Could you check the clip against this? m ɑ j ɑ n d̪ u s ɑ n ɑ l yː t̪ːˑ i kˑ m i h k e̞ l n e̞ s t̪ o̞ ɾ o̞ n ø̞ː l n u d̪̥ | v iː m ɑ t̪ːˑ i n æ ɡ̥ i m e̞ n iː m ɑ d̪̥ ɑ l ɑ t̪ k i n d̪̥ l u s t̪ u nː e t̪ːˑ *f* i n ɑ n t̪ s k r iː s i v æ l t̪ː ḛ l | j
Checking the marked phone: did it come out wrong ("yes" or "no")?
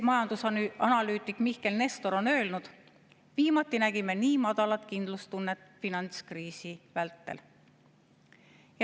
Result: no